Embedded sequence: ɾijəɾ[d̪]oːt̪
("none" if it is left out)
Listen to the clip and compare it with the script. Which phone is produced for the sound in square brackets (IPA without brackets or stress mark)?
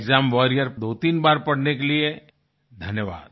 d̪